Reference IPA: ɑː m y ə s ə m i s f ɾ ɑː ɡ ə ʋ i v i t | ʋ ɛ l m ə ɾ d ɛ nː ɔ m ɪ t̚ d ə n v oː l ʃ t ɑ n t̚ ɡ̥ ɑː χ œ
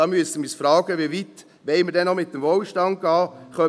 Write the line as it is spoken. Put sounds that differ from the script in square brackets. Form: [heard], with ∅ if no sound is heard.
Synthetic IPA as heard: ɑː m y ə s ə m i s f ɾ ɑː ɡ ə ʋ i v i t | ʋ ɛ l m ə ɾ d ɛ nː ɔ m ɪ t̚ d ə [m] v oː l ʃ t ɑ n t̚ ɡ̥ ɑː χ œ